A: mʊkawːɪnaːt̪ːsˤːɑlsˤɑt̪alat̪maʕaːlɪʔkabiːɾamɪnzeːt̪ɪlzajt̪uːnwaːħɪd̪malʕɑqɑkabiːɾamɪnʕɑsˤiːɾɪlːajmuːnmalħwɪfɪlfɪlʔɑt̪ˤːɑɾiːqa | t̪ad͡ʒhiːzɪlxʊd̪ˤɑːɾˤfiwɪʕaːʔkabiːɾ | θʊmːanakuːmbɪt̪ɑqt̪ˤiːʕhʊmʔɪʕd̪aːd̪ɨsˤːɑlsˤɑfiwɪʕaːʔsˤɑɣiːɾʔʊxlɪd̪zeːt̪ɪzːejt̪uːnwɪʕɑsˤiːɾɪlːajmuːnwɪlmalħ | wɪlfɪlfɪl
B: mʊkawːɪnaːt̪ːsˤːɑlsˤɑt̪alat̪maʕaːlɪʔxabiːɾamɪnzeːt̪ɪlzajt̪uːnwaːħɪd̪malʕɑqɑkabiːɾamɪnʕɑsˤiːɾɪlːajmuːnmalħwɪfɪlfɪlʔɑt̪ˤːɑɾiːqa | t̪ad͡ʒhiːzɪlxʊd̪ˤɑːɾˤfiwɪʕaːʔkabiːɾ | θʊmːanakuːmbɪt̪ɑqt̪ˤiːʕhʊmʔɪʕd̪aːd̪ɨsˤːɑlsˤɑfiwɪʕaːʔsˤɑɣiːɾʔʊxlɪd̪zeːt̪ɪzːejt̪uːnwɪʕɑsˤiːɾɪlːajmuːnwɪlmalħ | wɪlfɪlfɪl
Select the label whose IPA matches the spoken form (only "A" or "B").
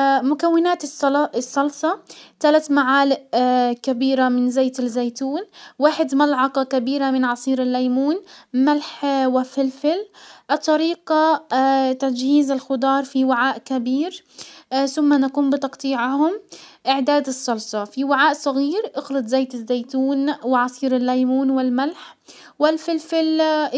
A